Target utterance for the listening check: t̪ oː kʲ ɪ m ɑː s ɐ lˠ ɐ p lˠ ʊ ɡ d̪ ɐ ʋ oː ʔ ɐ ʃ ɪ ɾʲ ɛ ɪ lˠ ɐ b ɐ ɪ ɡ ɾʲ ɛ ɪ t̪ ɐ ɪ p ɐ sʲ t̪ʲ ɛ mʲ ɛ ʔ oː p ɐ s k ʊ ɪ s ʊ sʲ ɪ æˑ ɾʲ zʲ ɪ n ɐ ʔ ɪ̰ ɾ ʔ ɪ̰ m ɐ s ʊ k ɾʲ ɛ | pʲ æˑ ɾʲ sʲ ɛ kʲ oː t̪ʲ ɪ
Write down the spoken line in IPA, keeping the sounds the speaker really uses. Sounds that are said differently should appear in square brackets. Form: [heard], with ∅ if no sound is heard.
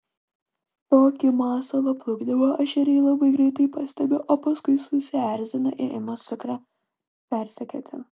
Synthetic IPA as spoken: t̪ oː kʲ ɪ m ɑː s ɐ lˠ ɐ p lˠ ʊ ɡ d̪ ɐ ʋ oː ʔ ɐ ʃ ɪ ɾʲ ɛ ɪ lˠ ɐ b ɐ ɪ ɡ ɾʲ ɛ ɪ t̪ ɐ ɪ p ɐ sʲ t̪ʲ ɛ [bʲ] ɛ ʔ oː p ɐ s k ʊ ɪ s ʊ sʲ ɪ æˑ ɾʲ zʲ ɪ n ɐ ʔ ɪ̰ ɾ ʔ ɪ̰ m ɐ s ʊ k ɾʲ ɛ | pʲ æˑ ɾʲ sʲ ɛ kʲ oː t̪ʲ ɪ